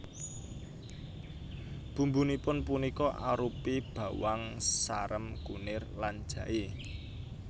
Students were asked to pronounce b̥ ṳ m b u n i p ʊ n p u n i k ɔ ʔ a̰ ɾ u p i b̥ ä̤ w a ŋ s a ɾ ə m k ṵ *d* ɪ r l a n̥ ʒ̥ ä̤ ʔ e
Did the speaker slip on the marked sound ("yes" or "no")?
yes